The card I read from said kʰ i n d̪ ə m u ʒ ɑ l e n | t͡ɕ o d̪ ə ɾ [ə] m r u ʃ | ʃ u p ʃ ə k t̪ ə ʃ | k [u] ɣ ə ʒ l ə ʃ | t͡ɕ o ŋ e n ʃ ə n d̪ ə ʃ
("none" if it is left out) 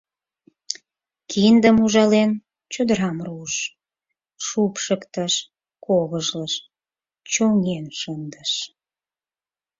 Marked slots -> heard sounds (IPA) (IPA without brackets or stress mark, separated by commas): ɑ, o